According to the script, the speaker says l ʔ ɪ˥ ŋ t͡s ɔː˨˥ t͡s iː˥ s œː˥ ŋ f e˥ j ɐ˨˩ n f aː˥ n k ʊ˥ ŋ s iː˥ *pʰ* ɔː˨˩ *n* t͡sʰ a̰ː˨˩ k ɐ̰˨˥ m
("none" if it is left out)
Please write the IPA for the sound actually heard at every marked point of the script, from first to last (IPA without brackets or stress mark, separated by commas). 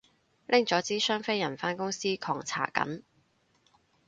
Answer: kʰ, ŋ